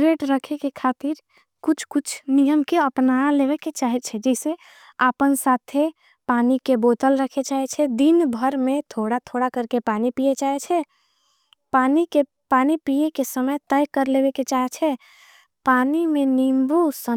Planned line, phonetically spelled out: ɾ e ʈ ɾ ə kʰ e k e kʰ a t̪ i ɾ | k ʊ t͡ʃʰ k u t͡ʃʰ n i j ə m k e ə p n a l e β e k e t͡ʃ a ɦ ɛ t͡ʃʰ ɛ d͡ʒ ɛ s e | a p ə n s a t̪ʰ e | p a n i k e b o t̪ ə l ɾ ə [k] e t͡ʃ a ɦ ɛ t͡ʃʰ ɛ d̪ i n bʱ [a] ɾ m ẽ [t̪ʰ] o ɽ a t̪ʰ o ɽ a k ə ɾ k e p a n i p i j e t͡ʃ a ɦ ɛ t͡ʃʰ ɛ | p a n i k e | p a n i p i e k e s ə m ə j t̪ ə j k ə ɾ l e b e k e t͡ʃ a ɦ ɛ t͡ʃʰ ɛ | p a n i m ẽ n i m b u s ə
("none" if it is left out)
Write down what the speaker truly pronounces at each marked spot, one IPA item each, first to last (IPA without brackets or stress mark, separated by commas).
kʰ, ə, t̪ʰ